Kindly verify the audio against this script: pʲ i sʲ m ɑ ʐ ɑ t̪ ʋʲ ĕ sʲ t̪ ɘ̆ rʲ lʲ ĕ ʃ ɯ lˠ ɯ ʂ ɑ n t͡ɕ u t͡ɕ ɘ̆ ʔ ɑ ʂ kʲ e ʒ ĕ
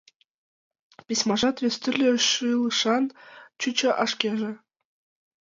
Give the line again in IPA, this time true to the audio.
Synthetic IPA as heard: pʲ i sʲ m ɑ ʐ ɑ t̪ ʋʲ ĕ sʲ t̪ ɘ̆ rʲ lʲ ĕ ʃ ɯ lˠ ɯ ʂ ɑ n t͡ɕ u t͡ɕ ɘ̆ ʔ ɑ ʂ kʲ e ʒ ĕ